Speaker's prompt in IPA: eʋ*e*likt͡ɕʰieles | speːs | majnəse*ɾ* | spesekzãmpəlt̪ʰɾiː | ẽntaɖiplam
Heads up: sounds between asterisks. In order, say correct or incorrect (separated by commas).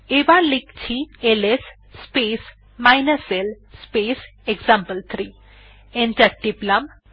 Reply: incorrect, incorrect